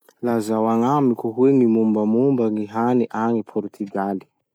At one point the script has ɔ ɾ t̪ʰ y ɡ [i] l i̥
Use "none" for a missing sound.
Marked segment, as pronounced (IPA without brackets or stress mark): a